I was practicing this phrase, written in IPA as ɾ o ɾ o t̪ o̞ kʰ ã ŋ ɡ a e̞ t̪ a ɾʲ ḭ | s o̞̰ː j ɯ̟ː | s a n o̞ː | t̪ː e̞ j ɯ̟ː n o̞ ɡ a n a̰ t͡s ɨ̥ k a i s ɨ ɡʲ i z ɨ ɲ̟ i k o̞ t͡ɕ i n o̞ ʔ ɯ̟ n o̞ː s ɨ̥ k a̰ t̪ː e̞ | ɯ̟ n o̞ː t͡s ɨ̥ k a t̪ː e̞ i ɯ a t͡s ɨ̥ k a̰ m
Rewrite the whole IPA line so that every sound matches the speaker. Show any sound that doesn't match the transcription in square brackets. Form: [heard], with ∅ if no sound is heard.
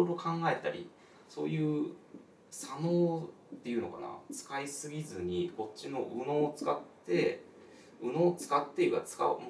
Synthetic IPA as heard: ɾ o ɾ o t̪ o̞ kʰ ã ŋ ɡ a e̞ t̪ a ɾʲ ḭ | s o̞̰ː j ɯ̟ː | s a n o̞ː | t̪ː e̞ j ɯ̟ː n o̞ [k] a n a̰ t͡s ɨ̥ k a i s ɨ ɡʲ i z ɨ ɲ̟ i k o̞ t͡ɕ i n o̞ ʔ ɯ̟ n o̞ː [t͡s] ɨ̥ k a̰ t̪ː e̞ | ɯ̟ n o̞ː t͡s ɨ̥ k a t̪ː e̞ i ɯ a t͡s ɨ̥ k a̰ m